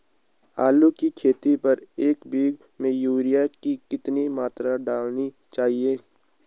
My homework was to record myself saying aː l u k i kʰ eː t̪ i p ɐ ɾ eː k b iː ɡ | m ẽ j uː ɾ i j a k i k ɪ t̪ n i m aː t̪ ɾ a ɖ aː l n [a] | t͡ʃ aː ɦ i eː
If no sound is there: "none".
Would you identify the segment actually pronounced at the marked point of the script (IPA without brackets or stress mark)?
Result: i